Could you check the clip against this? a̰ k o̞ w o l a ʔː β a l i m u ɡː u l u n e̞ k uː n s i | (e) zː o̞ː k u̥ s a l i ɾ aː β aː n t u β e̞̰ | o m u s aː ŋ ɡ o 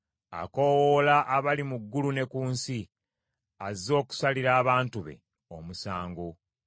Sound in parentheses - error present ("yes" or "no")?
yes